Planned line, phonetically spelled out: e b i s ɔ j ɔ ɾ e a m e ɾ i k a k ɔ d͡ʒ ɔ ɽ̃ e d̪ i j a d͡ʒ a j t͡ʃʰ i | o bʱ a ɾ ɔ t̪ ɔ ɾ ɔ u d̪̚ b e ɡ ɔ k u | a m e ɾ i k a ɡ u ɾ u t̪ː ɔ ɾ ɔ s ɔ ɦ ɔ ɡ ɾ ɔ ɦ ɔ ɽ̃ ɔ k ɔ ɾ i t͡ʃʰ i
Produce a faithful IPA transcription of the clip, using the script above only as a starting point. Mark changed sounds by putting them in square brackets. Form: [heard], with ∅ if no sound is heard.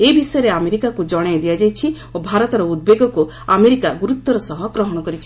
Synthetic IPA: e b i s ɔ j ɔ ɾ e a m e ɾ i k a k [u] d͡ʒ ɔ ɽ̃ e d̪ i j a d͡ʒ a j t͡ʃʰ i | o bʱ a ɾ ɔ t̪ ɔ ɾ ɔ u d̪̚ b e ɡ ɔ k u | a m e ɾ i k a ɡ u ɾ u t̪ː ɔ ɾ ɔ s ɔ ɦ ɔ ɡ ɾ ɔ ɦ ɔ ɽ̃ ɔ k ɔ ɾ i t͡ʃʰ i